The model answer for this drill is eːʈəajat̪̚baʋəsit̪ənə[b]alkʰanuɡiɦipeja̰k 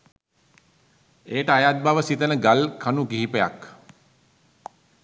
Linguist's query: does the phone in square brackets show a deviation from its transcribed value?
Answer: yes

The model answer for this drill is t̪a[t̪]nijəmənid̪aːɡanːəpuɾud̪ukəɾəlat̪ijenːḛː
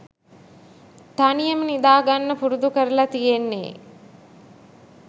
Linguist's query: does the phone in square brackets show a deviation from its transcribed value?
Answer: yes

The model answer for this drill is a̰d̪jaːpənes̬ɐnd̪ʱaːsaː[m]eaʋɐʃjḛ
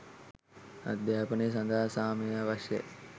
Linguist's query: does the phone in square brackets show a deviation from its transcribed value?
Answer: no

